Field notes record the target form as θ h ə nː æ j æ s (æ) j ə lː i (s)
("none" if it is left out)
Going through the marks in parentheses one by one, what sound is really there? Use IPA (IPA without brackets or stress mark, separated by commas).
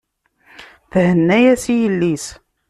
i, s